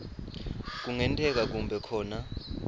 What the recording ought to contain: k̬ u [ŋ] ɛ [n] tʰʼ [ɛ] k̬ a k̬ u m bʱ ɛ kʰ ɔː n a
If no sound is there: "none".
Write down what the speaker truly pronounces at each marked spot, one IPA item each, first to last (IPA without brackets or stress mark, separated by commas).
ŋ, n, ɛ